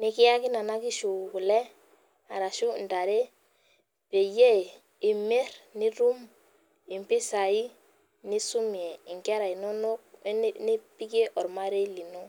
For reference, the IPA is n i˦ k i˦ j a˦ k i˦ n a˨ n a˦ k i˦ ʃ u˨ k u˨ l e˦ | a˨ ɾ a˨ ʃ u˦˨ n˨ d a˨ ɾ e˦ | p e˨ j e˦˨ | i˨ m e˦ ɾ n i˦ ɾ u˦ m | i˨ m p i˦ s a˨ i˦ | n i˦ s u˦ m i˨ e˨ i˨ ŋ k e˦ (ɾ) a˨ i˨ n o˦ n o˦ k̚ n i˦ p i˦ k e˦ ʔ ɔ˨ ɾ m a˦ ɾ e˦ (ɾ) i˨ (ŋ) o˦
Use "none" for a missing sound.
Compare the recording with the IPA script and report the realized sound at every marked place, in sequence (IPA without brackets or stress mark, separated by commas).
ɾ, l, n